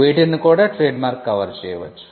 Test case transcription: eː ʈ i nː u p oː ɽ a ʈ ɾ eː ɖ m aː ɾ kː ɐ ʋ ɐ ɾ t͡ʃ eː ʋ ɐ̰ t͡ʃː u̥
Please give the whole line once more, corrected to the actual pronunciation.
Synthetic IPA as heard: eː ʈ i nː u k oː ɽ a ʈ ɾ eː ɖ m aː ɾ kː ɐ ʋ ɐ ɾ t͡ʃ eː ʋ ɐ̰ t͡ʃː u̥